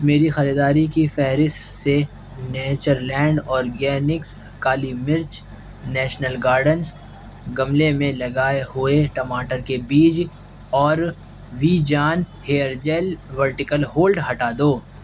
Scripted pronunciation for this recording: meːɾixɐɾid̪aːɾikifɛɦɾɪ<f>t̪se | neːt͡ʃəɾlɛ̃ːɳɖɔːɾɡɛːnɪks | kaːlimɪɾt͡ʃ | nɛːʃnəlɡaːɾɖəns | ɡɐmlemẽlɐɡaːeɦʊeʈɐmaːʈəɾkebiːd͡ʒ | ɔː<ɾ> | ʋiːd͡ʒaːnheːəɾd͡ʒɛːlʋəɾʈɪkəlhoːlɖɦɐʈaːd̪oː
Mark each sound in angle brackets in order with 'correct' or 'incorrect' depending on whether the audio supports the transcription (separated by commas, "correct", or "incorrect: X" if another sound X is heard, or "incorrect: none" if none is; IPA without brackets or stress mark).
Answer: incorrect: s, correct